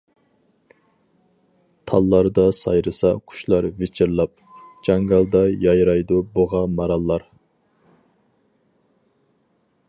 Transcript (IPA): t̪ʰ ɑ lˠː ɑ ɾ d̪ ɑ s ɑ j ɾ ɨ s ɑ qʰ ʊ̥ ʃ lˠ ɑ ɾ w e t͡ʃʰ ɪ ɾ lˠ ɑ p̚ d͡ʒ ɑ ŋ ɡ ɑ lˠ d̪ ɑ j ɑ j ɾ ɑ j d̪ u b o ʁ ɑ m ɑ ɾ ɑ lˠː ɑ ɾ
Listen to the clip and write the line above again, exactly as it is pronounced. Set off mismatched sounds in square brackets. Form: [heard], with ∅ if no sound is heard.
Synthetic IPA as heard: t̪ʰ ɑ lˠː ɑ ɾ d̪ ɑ s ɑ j ɾ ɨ s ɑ qʰ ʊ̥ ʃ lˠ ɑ ɾ [v] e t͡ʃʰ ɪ ɾ lˠ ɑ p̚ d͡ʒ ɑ ŋ ɡ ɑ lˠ d̪ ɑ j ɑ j ɾ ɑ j d̪ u b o ʁ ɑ m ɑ ɾ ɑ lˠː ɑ ɾ